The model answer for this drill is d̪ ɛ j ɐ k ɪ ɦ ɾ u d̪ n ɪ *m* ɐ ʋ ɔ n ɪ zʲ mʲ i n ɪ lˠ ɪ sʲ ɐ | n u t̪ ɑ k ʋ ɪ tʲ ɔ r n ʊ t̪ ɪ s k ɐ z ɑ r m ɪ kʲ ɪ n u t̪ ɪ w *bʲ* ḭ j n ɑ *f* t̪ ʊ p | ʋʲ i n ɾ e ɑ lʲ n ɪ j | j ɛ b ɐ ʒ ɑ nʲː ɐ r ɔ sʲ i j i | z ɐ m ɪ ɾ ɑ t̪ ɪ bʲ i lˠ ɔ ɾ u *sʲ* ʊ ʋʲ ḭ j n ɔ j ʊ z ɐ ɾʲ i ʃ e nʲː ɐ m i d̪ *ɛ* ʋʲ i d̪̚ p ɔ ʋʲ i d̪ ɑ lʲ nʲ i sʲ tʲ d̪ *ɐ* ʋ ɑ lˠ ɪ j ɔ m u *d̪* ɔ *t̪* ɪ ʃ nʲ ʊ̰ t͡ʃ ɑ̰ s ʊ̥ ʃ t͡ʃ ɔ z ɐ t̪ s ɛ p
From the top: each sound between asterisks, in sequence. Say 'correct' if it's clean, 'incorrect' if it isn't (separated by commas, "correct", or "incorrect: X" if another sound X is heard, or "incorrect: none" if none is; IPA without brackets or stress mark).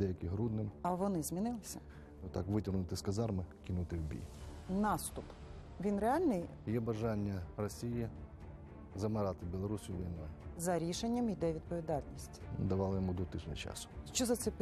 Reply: correct, correct, incorrect: s, correct, correct, correct, correct, correct